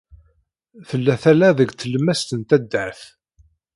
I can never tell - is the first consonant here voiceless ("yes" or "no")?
yes